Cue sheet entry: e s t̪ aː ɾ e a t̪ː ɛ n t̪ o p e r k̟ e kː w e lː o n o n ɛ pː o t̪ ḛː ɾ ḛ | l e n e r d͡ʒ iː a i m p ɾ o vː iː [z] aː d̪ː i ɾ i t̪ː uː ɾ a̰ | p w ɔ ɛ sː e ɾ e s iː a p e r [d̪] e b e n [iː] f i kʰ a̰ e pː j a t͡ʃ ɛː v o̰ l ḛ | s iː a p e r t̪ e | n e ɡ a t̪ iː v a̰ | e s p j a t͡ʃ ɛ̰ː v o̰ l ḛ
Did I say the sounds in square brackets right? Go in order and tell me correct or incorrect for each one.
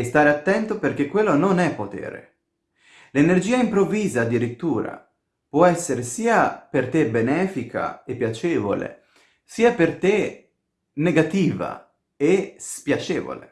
correct, incorrect: t̪, incorrect: ɛː

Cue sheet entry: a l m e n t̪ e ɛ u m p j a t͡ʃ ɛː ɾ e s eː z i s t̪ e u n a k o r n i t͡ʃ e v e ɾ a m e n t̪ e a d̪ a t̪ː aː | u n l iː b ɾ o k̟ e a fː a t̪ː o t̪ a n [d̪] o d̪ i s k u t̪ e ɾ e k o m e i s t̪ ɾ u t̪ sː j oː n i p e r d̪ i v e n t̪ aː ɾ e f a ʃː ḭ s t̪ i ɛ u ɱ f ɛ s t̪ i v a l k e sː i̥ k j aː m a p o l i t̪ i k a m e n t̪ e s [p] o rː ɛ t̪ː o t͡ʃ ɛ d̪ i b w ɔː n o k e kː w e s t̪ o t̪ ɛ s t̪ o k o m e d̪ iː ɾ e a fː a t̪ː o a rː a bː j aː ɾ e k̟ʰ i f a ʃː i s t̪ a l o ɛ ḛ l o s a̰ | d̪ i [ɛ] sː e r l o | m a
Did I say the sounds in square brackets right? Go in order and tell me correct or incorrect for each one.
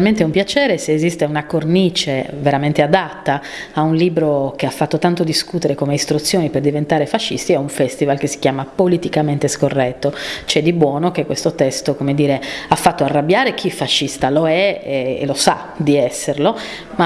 incorrect: t̪, incorrect: k, correct

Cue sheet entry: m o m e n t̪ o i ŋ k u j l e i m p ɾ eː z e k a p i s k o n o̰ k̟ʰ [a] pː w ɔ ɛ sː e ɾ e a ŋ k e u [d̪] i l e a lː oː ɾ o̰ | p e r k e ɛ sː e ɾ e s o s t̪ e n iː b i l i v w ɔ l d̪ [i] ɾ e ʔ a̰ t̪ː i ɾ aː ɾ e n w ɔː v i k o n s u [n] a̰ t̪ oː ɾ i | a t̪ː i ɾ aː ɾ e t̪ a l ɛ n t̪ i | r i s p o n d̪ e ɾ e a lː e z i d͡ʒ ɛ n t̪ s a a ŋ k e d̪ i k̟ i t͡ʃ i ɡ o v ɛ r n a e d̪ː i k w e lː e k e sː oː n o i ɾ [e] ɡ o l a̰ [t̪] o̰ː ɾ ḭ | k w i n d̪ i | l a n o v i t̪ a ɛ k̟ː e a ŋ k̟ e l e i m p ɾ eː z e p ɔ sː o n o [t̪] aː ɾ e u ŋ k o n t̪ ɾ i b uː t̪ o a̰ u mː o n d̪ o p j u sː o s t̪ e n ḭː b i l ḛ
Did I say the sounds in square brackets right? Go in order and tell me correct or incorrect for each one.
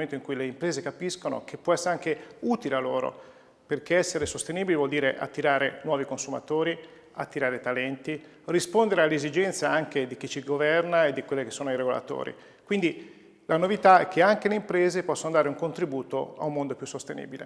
incorrect: e, incorrect: t̪, incorrect: iː, incorrect: m, correct, correct, incorrect: d̪

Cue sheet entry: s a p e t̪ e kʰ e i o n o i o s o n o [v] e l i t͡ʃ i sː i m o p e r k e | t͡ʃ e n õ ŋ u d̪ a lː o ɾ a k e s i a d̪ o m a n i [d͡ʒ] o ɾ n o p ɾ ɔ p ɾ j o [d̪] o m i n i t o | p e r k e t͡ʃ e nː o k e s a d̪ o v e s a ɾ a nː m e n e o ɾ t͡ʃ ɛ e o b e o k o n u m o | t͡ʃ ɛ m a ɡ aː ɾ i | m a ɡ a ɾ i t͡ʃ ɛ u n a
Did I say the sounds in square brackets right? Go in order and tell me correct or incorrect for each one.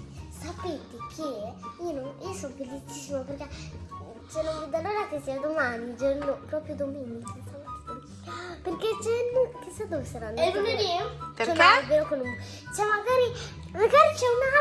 incorrect: f, correct, correct

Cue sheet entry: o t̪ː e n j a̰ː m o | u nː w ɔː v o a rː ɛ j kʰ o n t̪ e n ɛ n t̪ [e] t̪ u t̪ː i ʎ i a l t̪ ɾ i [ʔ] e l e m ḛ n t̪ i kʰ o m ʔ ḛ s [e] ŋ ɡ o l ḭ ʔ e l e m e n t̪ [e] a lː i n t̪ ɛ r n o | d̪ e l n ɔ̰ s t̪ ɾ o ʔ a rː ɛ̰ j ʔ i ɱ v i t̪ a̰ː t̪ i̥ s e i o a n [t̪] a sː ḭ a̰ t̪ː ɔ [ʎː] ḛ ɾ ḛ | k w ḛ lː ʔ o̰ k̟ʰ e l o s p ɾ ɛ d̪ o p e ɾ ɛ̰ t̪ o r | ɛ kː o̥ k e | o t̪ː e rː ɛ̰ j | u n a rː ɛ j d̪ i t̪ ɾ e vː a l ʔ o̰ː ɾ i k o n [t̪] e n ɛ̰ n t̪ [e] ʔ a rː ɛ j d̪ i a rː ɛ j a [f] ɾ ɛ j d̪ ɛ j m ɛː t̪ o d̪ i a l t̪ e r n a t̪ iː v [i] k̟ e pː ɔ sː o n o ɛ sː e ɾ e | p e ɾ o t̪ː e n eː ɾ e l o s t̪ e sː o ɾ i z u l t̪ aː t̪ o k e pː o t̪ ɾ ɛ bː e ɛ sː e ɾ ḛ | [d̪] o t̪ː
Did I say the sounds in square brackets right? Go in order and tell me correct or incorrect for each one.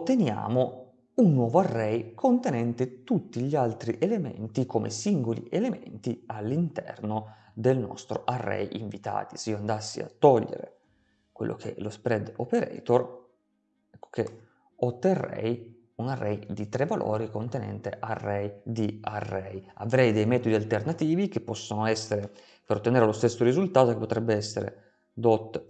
correct, correct, incorrect: i, incorrect: i, incorrect: d̪, correct, correct, correct, incorrect: v, correct, correct

